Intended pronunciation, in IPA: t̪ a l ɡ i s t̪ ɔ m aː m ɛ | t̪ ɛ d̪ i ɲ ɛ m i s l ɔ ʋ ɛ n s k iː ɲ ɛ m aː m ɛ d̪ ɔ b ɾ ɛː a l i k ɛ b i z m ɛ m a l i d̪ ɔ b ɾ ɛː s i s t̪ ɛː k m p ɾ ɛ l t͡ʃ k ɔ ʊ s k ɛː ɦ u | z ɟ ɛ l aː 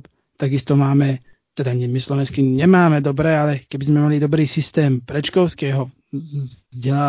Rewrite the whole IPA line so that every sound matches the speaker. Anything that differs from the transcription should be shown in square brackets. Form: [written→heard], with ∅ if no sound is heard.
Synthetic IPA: t̪ a [l→∅] ɡ i s t̪ ɔ m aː m ɛ | t̪ ɛ d̪ [i→a] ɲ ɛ m i s l ɔ ʋ ɛ n s k [iː→i] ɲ ɛ m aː m ɛ d̪ ɔ b ɾ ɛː a l [i→ɛ] k ɛ b i z m ɛ m a l i d̪ ɔ b ɾ [ɛː→iː] s i s t̪ ɛː [k→∅] m p ɾ ɛ [l→∅] t͡ʃ k ɔ ʊ s k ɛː ɦ [u→ɔ] | z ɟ ɛ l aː